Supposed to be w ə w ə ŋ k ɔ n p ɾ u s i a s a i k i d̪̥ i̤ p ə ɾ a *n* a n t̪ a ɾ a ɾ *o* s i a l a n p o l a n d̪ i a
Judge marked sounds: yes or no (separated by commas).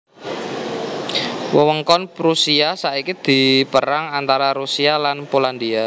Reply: no, no